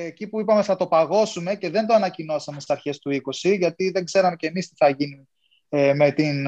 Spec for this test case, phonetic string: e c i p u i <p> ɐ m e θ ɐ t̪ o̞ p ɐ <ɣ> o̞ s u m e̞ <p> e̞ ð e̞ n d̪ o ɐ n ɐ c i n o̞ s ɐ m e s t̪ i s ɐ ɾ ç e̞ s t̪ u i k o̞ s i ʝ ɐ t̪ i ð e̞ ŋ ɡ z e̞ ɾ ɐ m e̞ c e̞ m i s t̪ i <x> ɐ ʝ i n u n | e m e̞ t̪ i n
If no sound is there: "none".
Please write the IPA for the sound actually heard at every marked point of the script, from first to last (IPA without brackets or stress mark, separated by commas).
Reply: p, ɣ, c, θ